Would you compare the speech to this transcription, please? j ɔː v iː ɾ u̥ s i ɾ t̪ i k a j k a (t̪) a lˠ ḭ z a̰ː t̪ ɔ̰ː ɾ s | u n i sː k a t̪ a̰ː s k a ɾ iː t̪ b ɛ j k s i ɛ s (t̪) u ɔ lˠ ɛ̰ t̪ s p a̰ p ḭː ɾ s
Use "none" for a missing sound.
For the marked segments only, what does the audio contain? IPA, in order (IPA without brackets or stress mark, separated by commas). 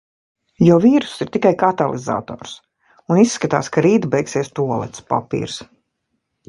t̪, t̪